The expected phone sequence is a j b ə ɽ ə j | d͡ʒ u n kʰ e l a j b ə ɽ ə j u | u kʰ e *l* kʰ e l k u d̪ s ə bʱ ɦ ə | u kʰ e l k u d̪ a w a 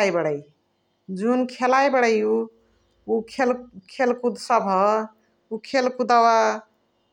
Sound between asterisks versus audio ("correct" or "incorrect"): correct